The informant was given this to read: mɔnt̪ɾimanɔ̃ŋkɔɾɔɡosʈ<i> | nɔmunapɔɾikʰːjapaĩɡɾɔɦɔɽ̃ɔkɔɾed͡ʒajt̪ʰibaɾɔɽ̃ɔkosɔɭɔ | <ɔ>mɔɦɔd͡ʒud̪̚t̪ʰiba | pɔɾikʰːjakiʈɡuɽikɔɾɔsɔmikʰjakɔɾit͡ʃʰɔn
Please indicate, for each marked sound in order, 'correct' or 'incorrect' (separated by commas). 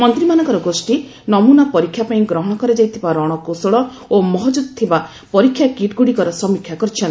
correct, incorrect